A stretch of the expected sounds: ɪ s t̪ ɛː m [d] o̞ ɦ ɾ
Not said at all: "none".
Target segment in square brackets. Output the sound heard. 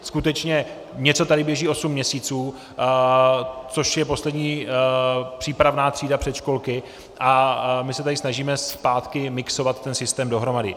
d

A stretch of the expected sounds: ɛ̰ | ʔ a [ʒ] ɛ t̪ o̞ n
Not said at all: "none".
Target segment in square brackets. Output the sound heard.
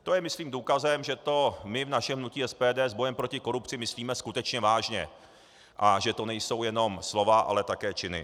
ʒ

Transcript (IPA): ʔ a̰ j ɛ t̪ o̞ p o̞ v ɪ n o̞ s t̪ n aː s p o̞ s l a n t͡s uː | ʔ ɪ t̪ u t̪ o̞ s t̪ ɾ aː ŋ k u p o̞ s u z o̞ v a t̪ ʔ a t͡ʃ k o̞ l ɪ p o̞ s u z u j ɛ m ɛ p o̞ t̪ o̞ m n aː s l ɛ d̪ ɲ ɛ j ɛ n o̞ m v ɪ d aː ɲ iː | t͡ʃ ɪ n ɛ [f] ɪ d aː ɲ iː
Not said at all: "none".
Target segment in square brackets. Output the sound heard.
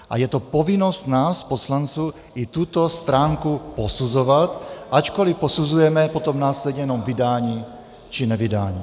v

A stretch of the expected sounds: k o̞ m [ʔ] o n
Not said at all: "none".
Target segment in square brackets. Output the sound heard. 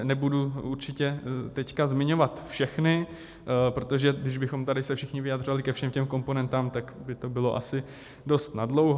p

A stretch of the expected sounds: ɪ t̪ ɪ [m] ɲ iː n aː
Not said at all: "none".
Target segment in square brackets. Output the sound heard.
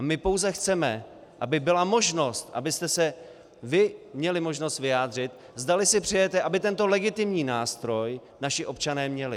m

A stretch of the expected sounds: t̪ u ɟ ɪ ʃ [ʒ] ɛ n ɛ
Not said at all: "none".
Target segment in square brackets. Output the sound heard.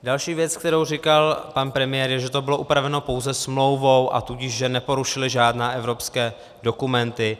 ʒ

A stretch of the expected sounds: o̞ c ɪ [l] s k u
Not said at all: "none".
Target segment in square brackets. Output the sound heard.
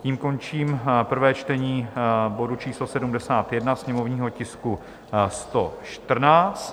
none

